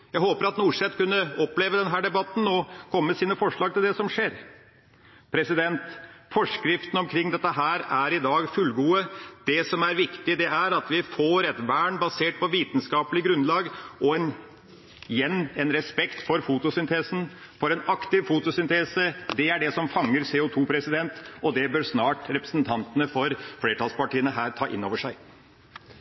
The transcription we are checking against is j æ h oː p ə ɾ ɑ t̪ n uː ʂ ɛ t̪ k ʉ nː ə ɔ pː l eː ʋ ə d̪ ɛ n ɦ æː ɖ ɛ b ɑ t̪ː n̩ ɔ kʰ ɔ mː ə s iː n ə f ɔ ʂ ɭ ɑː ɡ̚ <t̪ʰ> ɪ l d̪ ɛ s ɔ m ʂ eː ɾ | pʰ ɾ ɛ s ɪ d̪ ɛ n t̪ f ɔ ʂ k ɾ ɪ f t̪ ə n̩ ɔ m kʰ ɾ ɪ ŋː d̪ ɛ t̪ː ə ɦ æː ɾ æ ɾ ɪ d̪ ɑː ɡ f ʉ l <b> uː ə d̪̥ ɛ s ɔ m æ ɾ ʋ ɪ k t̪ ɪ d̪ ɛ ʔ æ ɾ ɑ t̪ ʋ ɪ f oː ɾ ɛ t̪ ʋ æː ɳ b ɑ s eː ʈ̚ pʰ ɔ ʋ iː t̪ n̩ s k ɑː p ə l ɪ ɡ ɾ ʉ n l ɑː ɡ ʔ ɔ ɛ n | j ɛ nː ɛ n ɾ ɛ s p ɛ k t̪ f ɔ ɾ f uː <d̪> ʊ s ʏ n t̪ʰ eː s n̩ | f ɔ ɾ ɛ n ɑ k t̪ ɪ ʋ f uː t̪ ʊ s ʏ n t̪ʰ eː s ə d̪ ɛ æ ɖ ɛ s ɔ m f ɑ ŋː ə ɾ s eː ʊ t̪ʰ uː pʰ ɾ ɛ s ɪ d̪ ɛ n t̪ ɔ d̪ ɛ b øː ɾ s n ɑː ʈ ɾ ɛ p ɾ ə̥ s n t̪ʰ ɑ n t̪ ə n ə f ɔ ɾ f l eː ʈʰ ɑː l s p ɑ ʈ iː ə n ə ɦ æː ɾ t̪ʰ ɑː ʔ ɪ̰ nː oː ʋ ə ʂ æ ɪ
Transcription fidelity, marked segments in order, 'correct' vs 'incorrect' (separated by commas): incorrect, incorrect, incorrect